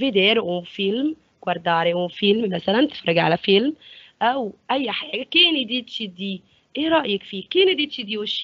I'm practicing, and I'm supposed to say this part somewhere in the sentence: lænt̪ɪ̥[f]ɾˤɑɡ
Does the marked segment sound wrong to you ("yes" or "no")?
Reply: no